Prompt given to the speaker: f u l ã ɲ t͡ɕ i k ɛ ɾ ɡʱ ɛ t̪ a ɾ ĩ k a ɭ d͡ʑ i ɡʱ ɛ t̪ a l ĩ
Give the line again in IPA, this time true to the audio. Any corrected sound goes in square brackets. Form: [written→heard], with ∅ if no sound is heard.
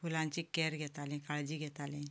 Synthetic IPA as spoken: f u l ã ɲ t͡ɕ i k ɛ ɾ ɡʱ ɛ t̪ a [ɾ→l] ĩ k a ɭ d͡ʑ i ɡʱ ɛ t̪ a l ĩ